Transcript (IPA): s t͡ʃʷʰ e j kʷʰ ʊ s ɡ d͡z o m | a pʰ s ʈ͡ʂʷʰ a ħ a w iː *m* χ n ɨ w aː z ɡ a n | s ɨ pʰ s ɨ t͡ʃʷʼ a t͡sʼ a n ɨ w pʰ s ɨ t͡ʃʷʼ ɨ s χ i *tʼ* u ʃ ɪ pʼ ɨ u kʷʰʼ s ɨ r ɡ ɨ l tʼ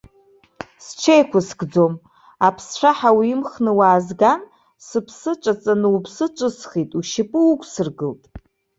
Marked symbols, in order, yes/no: yes, yes

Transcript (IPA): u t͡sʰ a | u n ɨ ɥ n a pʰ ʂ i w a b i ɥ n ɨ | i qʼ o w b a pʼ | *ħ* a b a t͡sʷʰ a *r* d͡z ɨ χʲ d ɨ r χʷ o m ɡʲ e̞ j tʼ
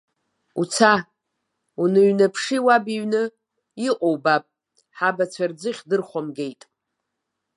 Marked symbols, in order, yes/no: yes, yes

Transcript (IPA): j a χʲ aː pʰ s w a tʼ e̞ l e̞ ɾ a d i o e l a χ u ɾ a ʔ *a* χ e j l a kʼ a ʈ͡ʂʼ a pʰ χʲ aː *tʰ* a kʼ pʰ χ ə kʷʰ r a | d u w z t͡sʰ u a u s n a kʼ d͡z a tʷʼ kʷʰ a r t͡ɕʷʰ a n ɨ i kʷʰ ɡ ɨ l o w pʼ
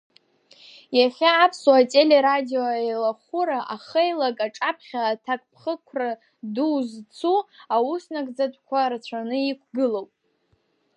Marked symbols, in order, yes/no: yes, yes

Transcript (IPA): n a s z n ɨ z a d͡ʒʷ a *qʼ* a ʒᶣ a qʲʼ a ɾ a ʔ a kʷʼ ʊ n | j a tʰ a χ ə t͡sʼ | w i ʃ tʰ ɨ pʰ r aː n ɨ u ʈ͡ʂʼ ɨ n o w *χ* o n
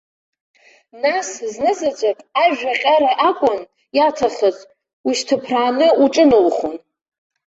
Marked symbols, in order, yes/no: no, yes

